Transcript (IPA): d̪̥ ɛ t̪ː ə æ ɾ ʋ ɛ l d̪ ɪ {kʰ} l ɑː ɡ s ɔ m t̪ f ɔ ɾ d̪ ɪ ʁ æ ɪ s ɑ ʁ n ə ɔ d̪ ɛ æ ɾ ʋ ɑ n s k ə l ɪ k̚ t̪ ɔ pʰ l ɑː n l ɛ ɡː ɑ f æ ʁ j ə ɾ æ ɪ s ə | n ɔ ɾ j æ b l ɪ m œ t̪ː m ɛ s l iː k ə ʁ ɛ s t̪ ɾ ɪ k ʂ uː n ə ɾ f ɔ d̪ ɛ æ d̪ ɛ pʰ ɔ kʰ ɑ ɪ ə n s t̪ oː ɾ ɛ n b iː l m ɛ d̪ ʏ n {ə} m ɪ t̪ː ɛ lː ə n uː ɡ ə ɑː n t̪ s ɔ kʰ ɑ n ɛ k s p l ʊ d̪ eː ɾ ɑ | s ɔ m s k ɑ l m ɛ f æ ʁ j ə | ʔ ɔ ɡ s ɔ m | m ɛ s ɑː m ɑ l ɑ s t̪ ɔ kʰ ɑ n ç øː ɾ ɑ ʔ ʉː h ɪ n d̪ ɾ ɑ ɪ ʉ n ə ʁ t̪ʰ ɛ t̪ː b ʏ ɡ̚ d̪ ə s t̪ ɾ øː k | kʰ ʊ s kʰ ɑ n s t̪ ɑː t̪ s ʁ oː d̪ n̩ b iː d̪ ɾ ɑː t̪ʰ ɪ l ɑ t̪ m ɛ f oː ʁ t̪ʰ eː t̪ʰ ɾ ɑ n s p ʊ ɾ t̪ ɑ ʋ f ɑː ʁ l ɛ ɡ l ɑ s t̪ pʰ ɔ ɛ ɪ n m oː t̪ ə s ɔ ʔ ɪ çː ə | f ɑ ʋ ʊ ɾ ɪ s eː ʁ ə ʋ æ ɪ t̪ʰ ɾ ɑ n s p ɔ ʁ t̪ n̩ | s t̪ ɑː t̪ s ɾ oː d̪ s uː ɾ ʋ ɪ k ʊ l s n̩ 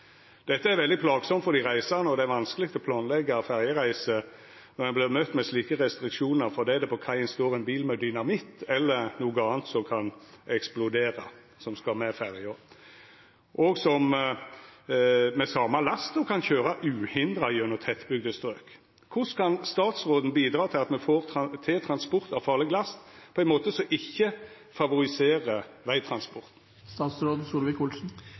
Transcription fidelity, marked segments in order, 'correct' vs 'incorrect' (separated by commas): incorrect, incorrect